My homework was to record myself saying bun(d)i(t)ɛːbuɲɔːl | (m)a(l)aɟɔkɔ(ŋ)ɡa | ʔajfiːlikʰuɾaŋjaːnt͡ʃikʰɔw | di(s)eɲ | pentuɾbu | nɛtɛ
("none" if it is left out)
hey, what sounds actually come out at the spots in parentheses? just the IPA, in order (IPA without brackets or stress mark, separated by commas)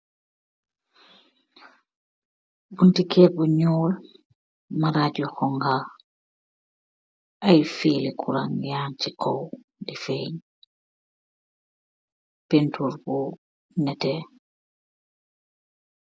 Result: t, k, m, ɾ, ŋ, f